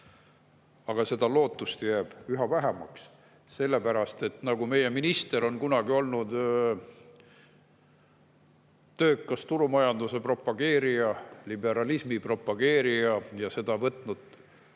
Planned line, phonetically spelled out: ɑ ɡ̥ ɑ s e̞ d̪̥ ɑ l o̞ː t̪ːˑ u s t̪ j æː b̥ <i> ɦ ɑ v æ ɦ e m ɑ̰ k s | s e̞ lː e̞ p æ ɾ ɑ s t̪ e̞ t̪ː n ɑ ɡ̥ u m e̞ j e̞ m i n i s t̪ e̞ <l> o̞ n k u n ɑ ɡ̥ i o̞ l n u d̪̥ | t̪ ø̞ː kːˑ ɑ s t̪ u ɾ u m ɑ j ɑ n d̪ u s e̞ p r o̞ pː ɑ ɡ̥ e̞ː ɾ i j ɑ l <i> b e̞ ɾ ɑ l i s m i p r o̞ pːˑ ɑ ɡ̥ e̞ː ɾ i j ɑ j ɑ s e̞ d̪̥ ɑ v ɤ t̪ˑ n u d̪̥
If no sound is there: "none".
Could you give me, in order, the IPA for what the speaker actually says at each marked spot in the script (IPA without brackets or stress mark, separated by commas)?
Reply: y, ɾ, i